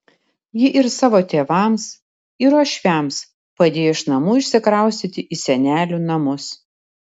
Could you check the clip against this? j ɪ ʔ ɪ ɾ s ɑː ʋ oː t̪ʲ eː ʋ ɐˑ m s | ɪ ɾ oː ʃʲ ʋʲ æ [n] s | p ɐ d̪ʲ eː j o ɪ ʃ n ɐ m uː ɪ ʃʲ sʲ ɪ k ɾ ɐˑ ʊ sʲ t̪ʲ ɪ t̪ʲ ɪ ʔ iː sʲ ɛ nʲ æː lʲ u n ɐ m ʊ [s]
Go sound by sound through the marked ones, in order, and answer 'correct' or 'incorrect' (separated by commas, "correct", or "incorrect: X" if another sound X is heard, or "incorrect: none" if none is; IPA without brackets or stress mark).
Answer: incorrect: m, correct